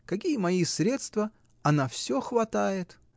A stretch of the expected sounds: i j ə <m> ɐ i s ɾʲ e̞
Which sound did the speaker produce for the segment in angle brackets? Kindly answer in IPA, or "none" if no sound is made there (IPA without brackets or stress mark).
m